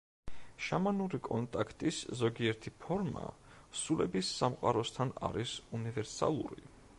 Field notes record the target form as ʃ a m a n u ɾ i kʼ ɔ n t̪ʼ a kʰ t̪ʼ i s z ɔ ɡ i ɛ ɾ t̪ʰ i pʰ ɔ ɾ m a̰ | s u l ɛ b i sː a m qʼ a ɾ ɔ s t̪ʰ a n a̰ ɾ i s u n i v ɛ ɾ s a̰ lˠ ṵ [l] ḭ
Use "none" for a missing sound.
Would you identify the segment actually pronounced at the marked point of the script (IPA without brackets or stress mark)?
ɾ